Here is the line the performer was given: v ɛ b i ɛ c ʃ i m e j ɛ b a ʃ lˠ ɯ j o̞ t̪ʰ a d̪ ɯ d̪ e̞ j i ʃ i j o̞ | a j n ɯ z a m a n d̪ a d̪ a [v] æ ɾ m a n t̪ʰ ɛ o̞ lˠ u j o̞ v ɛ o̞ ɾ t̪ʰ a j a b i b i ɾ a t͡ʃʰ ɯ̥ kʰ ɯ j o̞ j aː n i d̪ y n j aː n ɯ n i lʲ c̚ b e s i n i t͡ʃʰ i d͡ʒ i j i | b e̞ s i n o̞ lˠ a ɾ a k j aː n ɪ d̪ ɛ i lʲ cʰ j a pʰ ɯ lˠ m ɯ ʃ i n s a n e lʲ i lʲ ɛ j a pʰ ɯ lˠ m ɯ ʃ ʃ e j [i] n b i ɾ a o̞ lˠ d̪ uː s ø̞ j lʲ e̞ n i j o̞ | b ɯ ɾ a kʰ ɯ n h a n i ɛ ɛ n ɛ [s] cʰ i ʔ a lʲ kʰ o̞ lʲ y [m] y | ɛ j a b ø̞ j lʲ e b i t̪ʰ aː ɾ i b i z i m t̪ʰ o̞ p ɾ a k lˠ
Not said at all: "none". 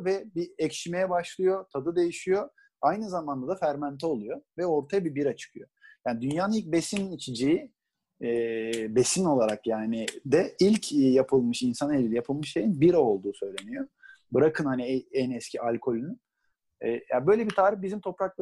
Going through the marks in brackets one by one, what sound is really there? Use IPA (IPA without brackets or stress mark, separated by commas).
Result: f, i, s, n